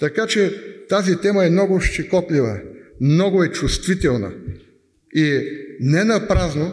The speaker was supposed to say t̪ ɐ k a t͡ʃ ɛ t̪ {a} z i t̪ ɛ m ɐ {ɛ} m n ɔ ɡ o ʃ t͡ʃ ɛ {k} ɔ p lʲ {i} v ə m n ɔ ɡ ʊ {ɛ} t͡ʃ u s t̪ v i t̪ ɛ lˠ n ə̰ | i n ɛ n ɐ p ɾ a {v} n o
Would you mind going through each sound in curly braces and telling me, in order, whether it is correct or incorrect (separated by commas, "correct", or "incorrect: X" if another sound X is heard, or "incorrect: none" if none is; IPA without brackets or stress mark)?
correct, correct, correct, correct, correct, incorrect: z